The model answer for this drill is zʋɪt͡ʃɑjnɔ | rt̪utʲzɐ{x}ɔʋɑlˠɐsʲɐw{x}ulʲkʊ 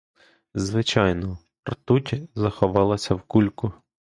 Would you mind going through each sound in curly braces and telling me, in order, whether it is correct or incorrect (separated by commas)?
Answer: correct, incorrect